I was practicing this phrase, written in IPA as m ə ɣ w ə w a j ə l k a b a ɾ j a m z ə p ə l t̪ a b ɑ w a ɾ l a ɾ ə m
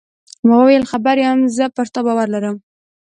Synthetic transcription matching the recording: m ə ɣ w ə w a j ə l x a b a ɾ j a m z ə p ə ɾ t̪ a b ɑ w a ɾ l a ɾ ə m